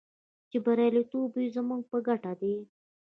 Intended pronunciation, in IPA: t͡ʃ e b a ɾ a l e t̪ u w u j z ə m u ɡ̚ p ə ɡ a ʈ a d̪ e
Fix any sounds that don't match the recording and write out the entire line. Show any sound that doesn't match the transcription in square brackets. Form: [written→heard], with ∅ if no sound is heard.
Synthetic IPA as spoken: t͡ʃ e b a ɾ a l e t̪ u [w→b] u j z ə m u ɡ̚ p ə ɡ a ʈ a d̪ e

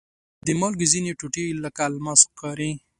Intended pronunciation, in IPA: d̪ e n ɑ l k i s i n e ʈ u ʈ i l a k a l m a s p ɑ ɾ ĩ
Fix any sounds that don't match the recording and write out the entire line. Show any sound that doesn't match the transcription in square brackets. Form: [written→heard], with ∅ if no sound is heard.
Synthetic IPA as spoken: d̪ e [n→m] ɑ l [k→ɡ] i [s→z] i n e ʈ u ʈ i l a k a l m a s [p→k] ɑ ɾ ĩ

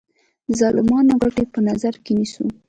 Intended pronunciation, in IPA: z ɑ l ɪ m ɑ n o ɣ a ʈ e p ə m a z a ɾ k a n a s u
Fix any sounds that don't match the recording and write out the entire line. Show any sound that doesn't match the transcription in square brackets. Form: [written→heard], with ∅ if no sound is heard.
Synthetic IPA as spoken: z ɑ l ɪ m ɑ n o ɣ a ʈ e p ə [m→n] a z a ɾ k [a→e] n [a→i] s u

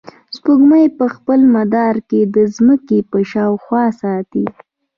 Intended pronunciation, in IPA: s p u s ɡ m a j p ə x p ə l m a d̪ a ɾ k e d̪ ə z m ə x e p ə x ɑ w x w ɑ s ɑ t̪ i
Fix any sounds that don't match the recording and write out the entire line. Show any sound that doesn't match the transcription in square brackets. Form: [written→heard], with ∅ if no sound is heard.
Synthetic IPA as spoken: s p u [s→∅] ɡ m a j p ə x p ə l m a d̪ [a→ɑ] ɾ k e d̪ ə z m ə [x→k] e p ə [x→ʃ] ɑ w x w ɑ s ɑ t̪ i

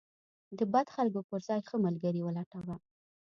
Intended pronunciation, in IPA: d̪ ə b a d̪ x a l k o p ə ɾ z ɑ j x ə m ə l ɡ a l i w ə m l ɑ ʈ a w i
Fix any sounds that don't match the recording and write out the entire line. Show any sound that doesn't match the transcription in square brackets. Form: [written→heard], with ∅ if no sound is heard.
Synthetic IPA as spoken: d̪ ə b a d̪ x a l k o p ə ɾ z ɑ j x ə m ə l ɡ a [l→ɾ] i w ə [m→∅] l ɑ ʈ a w [i→a]

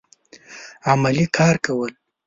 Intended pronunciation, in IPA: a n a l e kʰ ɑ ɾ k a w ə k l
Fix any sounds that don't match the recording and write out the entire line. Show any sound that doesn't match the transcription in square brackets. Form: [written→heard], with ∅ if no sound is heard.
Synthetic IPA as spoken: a [n→m] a l [e→i] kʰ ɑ ɾ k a w ə [k→∅] l

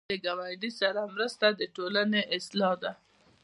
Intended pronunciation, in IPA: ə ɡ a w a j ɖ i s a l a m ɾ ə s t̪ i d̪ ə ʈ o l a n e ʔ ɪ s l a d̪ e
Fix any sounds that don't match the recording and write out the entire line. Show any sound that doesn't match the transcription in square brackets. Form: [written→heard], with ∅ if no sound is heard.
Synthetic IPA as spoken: ə ɡ a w a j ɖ i s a [l→ɾ] a m ɾ ə s t̪ [i→a] d̪ ə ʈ o l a n e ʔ ɪ s l [a→ɑ] d̪ [e→a]

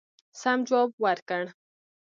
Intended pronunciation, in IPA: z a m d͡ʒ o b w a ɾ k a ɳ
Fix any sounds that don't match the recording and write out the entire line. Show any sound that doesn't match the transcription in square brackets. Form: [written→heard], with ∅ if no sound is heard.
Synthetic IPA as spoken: [z→s] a m d͡ʒ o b w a ɾ k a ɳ

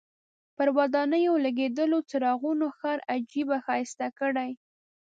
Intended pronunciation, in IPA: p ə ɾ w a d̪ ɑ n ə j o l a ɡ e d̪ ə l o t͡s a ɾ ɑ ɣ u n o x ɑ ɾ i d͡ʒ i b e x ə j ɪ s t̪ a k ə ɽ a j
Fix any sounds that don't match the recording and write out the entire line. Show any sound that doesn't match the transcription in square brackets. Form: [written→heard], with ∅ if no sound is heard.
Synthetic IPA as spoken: p ə ɾ w a d̪ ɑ n ə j o l a ɡ e d̪ ə l o t͡s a ɾ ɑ ɣ u n o x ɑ ɾ [i→a] d͡ʒ i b [e→a] x [ə→ɑ] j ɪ s t̪ a k ə ɽ a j

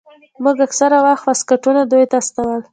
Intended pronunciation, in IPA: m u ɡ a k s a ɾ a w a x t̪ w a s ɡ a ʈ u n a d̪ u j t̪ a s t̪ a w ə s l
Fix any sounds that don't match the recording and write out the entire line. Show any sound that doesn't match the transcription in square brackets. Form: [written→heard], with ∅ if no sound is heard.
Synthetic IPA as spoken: m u ɡ a k s a ɾ a w a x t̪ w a s [ɡ→k] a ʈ u n a d̪ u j t̪ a s t̪ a w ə [s→∅] l

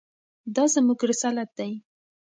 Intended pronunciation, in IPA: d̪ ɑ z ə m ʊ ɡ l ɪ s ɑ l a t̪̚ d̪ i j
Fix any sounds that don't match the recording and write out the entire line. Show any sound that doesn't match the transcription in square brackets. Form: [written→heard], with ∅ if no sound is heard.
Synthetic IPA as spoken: d̪ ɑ z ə m [ʊ→u] ɡ [l→ɾ] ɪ s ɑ l a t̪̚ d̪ [i→a] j

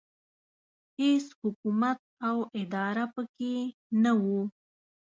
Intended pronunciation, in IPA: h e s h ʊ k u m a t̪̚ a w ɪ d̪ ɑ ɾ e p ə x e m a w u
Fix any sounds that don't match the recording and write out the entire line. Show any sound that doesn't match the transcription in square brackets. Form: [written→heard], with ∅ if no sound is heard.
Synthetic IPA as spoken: h e s h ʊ k u m a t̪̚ a w ɪ d̪ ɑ ɾ [e→a] p ə [x→k] e [m→n] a w u

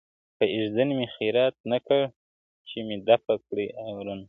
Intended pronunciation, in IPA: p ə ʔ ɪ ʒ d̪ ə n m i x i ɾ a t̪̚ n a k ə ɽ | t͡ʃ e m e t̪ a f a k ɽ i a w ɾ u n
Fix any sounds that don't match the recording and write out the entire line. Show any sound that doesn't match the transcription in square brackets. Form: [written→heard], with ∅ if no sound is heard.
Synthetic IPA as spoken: p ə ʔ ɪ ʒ d̪ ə n m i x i ɾ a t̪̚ n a k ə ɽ | t͡ʃ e m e [t̪→d̪] a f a k ɽ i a w ɾ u n

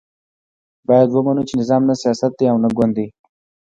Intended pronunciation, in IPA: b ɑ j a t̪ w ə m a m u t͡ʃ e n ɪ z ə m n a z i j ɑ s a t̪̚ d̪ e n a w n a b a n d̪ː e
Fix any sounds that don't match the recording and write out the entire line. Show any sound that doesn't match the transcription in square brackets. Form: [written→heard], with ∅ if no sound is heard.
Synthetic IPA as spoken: b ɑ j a [t̪→d̪] w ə m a [m→n] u t͡ʃ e n ɪ z [ə→ɑ] m n a [z→s] i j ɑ s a t̪̚ d̪ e [n→∅] a w n a [b→ɡ] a n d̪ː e

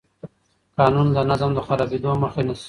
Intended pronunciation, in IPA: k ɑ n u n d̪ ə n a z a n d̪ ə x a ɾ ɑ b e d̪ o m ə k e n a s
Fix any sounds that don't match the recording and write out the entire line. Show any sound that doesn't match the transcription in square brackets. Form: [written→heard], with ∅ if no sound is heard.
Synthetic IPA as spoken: k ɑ n u n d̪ ə n a z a [n→m] d̪ ə x a ɾ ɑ b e d̪ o m ə [k→x] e n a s

